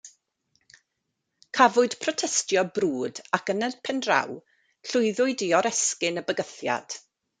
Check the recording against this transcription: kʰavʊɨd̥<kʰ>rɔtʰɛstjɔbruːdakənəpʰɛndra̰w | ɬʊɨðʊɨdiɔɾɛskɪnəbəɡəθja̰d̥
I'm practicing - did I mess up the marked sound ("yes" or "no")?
yes